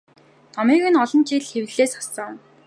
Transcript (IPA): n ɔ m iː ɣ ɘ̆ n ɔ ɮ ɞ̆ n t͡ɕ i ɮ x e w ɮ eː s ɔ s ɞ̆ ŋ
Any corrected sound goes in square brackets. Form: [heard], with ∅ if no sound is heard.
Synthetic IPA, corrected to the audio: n ɔ m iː ɣ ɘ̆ n ɔ ɮ ɞ̆ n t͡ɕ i ɮ x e w ɮ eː s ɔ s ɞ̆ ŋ